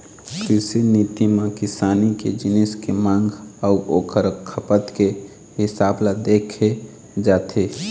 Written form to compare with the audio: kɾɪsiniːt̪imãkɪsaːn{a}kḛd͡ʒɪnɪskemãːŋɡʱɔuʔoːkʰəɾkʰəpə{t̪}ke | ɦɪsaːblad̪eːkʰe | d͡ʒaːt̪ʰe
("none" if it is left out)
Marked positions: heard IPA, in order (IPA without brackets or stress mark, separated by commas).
i, t̪